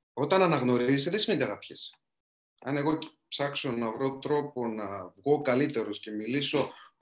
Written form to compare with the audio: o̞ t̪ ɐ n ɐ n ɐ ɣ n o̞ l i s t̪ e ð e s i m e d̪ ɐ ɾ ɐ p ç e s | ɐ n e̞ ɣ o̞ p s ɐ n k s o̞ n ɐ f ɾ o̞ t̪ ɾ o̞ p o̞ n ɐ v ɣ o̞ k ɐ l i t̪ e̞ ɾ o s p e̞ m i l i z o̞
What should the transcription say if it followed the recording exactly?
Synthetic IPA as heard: o̞ t̪ ɐ n ɐ n ɐ ɣ n o̞ ɾ i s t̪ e ð e s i m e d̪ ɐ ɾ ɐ p ç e s | ɐ n e̞ ɣ o̞ p s ɐ k s o̞ n ɐ v ɾ o̞ t̪ ɾ o̞ p o̞ n ɐ v ɣ o̞ k ɐ l i t̪ e̞ ɾ o s c e̞ m i l i s o̞